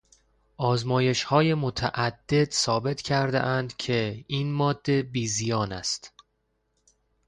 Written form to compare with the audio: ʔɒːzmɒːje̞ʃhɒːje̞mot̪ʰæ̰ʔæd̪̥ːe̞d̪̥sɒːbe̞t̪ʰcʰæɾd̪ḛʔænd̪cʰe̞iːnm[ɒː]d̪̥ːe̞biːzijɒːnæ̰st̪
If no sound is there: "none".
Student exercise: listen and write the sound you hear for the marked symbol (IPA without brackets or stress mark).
ɒː